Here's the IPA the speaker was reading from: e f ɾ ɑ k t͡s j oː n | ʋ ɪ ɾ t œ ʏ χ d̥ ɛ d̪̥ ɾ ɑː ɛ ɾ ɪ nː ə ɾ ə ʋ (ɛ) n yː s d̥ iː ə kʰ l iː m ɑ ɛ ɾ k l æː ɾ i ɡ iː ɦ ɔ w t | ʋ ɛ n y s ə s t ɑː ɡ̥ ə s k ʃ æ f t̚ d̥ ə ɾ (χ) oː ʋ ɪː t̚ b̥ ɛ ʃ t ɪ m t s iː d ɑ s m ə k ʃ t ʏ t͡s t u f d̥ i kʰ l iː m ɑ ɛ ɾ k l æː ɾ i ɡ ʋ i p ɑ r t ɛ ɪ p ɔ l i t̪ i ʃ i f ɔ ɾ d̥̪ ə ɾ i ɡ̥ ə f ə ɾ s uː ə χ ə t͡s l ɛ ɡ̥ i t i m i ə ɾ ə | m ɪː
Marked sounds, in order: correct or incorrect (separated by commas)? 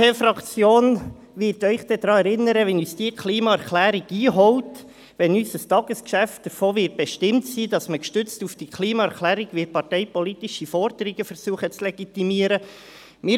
correct, incorrect